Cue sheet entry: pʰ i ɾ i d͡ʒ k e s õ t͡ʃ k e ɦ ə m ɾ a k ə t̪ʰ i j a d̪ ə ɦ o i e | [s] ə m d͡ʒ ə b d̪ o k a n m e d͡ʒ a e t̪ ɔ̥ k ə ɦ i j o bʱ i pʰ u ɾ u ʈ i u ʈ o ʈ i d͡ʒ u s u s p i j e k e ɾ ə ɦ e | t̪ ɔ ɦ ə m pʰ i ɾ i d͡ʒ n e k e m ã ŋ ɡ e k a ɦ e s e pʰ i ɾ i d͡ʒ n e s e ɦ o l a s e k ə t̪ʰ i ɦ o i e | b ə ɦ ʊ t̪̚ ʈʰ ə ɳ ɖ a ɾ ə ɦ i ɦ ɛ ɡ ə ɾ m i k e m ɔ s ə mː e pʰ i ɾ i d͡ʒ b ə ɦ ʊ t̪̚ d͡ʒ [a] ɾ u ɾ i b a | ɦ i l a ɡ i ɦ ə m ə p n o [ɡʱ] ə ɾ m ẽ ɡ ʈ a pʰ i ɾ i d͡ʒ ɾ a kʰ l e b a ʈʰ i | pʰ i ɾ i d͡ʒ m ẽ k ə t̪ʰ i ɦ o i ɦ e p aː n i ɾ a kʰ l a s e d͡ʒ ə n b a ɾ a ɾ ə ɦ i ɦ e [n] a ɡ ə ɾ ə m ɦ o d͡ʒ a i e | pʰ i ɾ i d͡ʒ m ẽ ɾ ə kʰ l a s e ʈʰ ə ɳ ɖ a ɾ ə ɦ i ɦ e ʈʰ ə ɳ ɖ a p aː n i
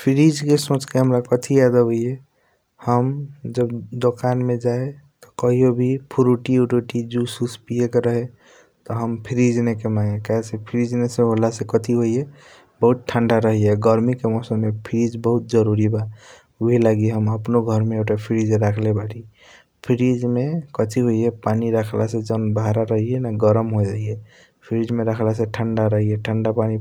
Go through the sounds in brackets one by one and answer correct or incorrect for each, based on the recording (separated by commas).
incorrect, incorrect, correct, correct